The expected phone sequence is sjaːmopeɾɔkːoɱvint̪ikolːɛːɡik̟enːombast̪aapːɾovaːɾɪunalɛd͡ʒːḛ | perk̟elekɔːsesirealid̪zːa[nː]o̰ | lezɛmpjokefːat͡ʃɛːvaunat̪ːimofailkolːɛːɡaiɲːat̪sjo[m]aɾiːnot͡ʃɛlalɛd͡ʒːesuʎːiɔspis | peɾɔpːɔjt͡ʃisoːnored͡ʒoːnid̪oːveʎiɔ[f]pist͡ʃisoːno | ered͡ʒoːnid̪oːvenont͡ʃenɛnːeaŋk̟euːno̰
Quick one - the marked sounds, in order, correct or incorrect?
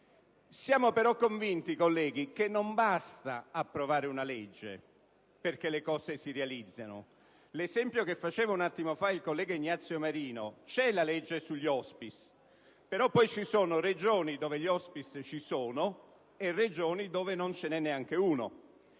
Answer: incorrect, correct, incorrect

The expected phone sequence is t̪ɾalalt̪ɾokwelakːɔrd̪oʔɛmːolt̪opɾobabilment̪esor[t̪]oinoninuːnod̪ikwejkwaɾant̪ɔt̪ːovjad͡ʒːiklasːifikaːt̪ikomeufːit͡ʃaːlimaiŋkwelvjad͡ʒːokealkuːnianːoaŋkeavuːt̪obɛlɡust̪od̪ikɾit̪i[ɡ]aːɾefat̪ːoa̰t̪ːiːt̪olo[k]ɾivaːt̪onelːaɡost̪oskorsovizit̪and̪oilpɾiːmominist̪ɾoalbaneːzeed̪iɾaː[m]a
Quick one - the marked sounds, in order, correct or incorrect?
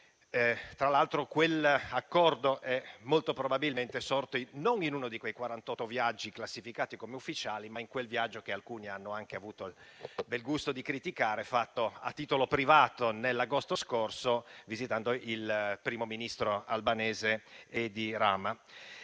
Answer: correct, incorrect, incorrect, correct

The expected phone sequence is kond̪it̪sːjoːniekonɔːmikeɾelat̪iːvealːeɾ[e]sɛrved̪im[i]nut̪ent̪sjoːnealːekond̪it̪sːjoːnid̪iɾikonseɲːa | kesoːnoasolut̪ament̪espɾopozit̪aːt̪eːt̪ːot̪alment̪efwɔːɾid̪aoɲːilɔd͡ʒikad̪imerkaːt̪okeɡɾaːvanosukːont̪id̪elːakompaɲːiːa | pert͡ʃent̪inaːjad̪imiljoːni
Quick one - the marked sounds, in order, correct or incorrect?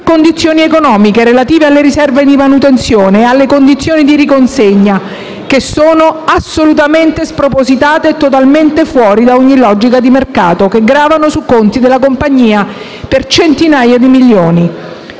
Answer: incorrect, incorrect

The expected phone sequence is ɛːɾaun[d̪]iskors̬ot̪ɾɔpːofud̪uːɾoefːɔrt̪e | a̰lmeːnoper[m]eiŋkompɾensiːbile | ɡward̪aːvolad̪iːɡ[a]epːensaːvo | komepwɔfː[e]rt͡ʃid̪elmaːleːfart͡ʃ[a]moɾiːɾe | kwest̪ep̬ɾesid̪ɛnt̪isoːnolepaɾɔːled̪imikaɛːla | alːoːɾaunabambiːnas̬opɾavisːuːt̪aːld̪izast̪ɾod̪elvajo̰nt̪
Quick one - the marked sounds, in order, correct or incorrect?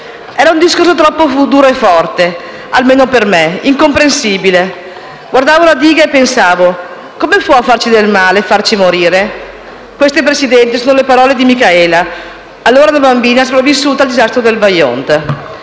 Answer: correct, correct, correct, incorrect, incorrect

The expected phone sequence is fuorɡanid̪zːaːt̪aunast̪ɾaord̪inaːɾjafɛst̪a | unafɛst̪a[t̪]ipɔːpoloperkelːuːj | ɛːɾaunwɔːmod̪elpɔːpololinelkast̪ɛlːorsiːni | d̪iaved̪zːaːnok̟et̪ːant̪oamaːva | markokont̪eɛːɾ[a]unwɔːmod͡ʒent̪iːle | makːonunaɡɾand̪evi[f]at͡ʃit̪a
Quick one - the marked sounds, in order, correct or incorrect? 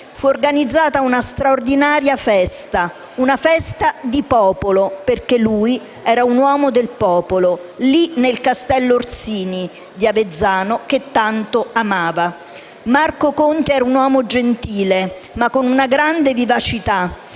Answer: incorrect, correct, incorrect

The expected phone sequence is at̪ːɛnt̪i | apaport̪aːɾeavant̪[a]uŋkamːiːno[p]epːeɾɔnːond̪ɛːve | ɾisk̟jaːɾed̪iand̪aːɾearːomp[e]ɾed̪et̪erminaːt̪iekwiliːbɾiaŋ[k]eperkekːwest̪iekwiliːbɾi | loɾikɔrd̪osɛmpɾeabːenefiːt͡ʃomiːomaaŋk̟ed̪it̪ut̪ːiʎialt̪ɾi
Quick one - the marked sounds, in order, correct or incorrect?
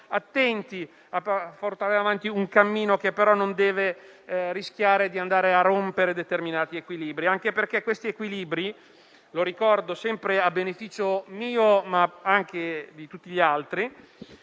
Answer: incorrect, incorrect, correct, correct

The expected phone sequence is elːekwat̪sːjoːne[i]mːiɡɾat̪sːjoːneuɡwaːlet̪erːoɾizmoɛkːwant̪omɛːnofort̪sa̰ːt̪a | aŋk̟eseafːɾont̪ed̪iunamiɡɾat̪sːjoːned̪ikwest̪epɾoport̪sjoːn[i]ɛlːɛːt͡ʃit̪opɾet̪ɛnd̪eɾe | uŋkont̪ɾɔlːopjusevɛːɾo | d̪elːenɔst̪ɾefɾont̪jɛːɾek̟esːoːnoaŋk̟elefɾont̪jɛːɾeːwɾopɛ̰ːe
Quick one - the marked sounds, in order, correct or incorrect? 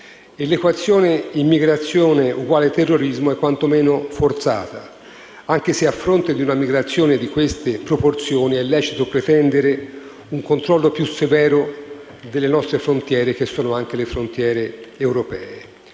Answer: correct, correct

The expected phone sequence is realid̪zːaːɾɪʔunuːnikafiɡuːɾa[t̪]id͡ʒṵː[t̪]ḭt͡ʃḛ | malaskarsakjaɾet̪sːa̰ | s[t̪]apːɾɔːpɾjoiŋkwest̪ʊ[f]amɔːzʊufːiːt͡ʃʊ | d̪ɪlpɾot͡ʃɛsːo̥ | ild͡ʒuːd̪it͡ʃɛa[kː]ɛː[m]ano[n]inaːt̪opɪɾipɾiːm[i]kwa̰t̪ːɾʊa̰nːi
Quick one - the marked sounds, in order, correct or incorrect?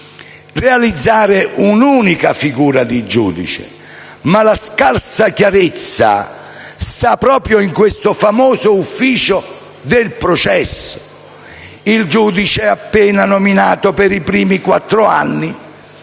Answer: incorrect, incorrect, correct, correct, incorrect, incorrect, incorrect, correct

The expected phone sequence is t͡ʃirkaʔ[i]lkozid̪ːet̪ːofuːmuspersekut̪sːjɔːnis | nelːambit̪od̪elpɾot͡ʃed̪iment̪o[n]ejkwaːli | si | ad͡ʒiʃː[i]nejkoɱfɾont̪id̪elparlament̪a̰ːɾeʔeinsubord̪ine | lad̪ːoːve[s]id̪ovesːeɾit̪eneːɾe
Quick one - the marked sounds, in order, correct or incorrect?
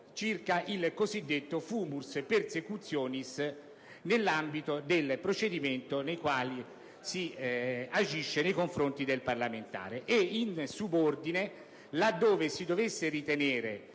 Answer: correct, correct, incorrect, correct

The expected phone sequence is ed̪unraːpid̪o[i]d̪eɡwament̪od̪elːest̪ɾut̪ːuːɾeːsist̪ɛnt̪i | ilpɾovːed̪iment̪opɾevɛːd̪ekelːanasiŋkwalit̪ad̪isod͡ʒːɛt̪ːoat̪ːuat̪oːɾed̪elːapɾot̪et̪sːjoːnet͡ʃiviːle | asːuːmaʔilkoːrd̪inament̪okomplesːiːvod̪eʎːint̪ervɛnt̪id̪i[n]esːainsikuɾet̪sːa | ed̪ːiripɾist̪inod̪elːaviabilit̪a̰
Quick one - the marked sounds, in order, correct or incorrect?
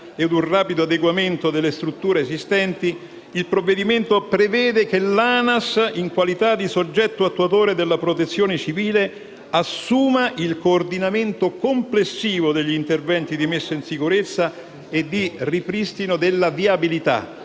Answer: incorrect, incorrect

